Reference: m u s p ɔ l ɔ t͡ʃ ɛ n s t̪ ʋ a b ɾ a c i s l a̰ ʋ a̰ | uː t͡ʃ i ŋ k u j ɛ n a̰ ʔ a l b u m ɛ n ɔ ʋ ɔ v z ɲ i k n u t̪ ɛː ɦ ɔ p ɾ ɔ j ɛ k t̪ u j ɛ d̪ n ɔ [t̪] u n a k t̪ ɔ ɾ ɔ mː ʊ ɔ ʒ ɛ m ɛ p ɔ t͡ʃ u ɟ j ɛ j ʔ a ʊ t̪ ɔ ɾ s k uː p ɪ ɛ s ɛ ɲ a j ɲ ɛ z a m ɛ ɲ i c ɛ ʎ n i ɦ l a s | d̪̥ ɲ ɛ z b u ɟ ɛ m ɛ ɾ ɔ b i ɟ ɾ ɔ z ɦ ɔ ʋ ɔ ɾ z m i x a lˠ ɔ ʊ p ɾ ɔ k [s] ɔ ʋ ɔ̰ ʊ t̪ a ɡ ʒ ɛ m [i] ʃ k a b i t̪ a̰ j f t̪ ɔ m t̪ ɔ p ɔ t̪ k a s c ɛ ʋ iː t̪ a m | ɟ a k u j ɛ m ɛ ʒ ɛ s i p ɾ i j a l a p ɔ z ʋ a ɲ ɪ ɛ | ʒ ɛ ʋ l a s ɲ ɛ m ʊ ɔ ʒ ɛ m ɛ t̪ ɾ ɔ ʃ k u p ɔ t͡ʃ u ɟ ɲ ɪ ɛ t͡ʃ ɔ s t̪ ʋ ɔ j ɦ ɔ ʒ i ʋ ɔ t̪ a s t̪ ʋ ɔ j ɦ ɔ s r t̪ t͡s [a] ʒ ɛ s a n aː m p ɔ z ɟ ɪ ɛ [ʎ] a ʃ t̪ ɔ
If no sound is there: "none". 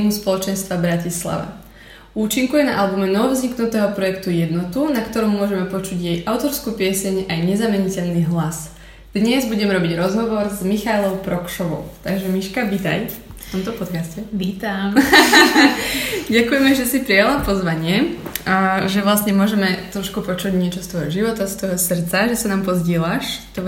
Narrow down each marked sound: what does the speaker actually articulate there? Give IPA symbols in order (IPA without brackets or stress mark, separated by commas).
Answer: t̪, ʃ, i, a, l